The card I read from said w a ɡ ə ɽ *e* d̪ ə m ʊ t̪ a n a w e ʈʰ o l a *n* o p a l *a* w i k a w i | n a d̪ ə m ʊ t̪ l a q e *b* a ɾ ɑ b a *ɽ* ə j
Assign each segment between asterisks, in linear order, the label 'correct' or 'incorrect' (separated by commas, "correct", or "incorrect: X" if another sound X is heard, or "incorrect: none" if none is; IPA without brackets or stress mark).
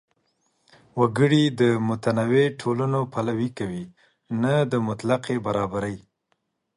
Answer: incorrect: i, correct, correct, correct, incorrect: ɾ